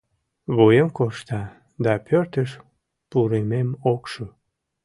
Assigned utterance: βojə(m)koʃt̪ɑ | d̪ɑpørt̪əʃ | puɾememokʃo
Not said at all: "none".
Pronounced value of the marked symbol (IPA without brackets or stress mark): m